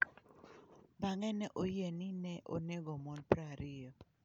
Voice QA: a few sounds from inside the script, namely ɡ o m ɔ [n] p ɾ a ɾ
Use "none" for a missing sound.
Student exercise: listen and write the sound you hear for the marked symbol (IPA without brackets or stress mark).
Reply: n